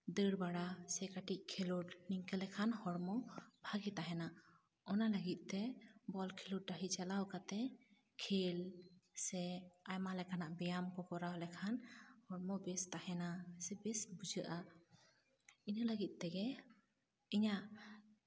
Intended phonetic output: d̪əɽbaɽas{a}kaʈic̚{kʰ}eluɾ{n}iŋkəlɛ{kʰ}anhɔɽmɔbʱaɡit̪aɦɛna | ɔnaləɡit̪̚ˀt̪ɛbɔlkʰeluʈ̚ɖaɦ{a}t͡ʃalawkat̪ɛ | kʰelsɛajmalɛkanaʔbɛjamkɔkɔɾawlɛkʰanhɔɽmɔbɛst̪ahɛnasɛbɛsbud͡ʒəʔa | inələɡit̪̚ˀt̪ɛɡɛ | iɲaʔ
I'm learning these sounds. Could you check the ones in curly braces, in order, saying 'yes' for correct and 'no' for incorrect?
no, yes, yes, yes, no

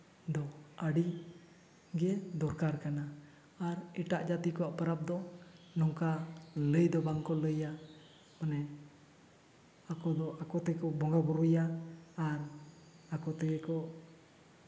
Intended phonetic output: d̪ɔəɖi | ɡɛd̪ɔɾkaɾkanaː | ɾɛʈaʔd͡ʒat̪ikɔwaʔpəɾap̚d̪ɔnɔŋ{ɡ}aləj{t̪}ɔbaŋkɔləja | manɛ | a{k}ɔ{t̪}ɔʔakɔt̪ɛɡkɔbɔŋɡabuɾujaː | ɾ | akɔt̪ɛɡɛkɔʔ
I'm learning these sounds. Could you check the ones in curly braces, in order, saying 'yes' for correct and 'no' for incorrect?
no, no, yes, no

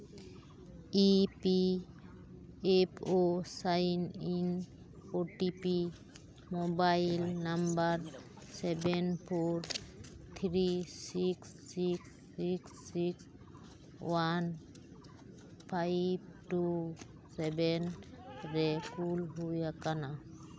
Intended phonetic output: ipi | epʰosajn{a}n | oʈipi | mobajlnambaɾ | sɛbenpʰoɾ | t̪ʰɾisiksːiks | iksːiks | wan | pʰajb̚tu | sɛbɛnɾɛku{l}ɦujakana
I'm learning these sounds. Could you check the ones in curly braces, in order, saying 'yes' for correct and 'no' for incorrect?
no, yes

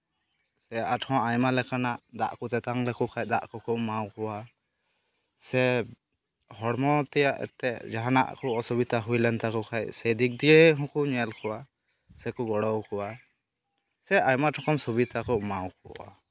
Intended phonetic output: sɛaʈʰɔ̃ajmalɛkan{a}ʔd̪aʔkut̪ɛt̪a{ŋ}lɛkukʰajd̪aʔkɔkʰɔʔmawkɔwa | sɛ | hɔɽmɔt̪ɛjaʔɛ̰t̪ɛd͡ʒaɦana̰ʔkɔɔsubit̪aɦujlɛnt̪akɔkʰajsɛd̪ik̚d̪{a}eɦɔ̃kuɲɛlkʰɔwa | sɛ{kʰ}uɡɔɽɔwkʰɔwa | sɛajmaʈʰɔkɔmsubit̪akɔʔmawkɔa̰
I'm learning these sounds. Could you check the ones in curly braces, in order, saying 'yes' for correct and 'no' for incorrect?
yes, yes, no, no

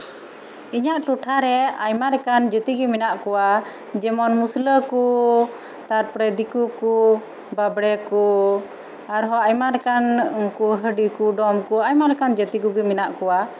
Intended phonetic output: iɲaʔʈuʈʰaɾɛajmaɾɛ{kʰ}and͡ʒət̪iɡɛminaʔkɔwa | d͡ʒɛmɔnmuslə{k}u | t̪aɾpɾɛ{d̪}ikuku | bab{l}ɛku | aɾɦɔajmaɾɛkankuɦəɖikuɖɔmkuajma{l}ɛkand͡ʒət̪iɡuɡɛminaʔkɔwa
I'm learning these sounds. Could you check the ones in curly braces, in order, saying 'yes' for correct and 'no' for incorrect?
no, yes, yes, no, no

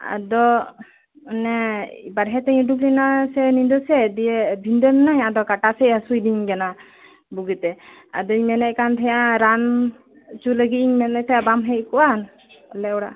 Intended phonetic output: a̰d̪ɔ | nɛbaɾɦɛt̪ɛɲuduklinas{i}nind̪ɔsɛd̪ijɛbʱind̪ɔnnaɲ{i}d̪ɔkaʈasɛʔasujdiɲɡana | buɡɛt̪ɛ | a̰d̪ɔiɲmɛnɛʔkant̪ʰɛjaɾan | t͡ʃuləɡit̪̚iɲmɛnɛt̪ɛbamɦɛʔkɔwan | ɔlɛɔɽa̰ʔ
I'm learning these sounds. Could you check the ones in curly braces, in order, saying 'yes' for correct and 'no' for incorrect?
no, no

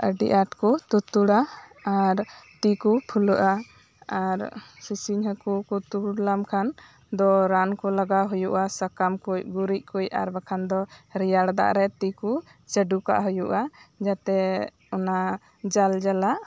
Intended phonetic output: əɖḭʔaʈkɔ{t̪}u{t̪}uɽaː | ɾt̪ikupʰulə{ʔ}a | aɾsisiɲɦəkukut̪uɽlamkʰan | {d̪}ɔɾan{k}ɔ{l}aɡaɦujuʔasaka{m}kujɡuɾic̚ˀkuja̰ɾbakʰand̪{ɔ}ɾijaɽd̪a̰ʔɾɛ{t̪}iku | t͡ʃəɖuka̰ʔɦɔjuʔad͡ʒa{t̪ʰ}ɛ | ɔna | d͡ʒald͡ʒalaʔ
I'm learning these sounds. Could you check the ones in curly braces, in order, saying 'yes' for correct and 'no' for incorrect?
yes, yes, yes, yes, yes, yes, yes, yes, yes, no

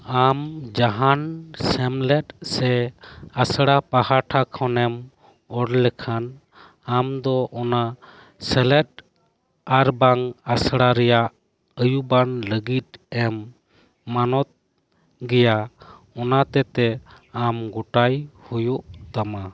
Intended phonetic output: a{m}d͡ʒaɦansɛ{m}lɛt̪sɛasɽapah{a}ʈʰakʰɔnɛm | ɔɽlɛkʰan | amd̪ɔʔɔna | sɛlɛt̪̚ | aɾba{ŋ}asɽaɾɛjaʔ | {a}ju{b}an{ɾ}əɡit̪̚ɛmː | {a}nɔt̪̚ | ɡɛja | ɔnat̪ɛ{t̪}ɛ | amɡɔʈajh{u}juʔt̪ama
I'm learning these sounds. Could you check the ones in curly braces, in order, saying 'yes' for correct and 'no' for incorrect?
yes, yes, yes, yes, no, yes, no, yes, yes, yes

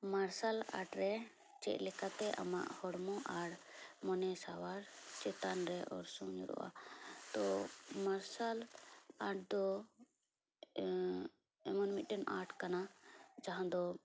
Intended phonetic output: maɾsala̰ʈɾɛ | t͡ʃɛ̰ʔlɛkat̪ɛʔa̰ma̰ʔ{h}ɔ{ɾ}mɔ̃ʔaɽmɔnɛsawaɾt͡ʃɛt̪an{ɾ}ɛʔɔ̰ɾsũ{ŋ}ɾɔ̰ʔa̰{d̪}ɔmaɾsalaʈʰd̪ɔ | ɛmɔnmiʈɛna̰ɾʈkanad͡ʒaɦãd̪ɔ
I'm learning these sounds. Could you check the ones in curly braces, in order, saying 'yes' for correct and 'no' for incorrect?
yes, no, yes, no, no

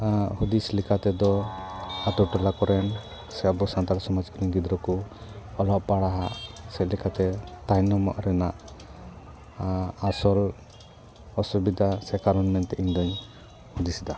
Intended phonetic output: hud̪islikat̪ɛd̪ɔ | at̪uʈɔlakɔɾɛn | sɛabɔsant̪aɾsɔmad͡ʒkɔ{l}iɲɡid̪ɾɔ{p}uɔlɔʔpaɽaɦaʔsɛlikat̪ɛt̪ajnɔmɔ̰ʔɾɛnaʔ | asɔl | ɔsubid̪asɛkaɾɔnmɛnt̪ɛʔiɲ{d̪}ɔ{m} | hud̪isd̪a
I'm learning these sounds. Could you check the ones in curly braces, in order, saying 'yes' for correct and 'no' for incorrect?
no, no, yes, no

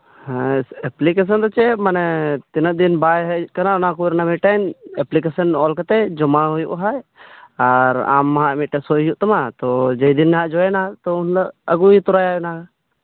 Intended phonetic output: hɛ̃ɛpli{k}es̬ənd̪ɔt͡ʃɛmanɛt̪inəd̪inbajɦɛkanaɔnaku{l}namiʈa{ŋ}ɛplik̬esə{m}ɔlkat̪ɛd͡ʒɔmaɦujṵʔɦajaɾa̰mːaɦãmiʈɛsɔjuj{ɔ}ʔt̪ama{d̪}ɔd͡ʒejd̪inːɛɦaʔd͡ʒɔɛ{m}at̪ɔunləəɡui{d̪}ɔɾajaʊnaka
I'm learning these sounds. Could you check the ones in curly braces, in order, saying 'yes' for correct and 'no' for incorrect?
yes, no, no, no, no, no, no, no

